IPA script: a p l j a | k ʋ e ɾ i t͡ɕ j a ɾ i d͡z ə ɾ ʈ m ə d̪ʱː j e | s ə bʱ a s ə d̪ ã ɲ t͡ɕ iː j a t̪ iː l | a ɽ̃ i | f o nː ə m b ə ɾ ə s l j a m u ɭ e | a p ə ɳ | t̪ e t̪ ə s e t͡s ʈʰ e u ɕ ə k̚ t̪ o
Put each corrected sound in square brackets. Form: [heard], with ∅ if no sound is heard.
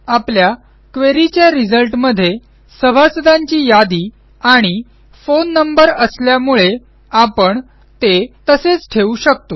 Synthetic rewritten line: a p l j a | k ʋ e ɾ i t͡ɕ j a ɾ i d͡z ə [l] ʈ m ə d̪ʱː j e | s ə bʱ a s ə d̪ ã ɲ t͡ɕ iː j a [d̪] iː [∅] | a ɽ̃ i | f o nː ə m b ə ɾ ə s l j a m u ɭ e | a p ə ɳ | t̪ e t̪ ə s e t͡s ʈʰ e u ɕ ə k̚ t̪ o

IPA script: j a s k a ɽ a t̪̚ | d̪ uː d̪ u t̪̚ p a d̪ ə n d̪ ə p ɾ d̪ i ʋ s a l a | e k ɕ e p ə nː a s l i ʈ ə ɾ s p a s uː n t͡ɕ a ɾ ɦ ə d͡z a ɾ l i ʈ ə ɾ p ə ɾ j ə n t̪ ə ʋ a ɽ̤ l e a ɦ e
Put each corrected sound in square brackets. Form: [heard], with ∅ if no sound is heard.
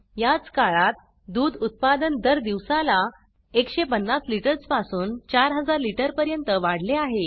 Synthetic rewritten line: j a [t͡s] k a [ɭ] a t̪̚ | d̪ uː d̪ u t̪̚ p a d̪ ə n d̪ ə [∅] ɾ d̪ i ʋ s a l a | e k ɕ e p ə nː a s l i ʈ ə ɾ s p a s uː n t͡ɕ a ɾ ɦ ə d͡z a ɾ l i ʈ ə ɾ p ə ɾ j ə n t̪ ə ʋ a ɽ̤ l e a ɦ e

